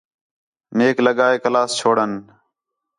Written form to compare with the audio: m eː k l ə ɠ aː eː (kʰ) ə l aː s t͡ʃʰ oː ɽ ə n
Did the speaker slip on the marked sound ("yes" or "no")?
yes